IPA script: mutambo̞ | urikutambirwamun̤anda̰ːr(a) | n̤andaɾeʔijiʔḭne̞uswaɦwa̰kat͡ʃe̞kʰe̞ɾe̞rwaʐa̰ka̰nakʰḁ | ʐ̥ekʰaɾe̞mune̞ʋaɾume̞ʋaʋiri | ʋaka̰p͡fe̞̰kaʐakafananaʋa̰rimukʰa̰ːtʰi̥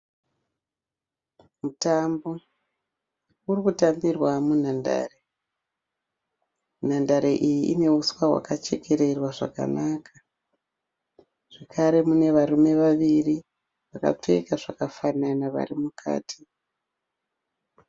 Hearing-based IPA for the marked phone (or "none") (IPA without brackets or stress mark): e